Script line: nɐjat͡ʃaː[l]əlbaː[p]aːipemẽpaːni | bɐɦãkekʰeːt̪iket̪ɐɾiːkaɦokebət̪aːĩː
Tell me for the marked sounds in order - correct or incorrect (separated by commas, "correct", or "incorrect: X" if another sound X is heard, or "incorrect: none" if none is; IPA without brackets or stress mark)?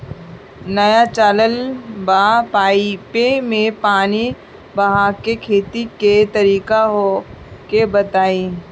correct, correct